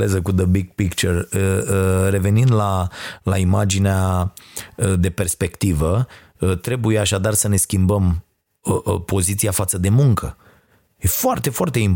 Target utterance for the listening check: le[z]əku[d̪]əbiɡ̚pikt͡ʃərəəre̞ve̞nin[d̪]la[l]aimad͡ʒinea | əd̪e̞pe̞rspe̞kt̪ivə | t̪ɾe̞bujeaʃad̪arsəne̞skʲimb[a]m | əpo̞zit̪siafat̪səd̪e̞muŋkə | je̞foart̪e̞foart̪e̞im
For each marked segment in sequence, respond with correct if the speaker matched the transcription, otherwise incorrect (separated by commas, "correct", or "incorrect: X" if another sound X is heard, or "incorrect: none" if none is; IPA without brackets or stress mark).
correct, correct, correct, correct, incorrect: ə